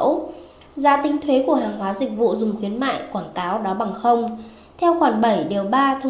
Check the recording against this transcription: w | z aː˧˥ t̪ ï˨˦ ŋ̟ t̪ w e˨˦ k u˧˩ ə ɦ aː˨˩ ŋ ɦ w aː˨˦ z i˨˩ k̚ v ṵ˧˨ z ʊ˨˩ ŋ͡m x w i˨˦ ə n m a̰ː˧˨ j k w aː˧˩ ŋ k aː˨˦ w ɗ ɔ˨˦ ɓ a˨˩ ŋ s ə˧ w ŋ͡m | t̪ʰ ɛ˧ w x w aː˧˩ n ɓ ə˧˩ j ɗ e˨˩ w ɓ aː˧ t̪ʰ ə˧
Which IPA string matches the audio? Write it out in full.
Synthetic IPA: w | z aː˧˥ t̪ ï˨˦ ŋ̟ t̪ʰ w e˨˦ k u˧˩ ə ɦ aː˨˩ ŋ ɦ w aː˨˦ z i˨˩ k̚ v ṵ˧˨ z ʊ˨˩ ŋ͡m x w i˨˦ ə n m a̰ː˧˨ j k w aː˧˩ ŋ k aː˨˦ w ɗ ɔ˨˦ ɓ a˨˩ ŋ x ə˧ w ŋ͡m | t̪ʰ ɛ˧ w x w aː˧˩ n ɓ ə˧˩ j ɗ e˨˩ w ɓ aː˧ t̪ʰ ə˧